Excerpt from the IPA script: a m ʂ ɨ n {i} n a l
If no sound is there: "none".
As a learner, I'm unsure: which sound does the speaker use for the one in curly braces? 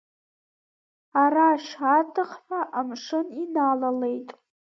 i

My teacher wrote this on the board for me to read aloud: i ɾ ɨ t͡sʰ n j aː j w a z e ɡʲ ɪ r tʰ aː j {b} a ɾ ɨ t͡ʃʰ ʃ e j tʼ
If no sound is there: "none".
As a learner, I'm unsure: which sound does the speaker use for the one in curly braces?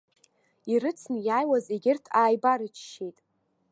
b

